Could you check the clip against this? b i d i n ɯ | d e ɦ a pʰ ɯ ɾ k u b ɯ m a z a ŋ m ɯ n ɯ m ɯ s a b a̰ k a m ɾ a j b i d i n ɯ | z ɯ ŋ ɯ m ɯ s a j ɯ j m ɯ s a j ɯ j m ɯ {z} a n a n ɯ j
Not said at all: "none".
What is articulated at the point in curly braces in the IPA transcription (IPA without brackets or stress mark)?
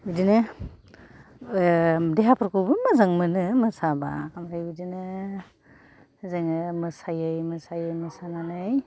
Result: s